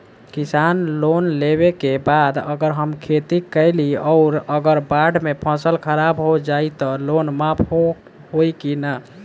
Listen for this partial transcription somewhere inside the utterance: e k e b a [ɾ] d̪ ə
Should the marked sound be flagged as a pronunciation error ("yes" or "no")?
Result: yes